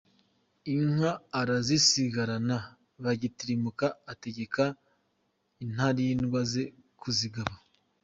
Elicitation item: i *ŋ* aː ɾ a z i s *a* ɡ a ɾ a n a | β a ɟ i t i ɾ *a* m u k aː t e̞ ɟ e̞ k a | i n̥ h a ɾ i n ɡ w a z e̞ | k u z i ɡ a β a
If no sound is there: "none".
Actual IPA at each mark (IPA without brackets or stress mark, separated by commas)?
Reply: ŋ, i, i